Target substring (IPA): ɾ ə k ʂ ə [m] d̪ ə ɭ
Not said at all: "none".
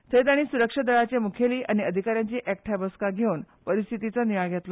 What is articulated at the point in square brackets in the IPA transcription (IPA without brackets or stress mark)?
none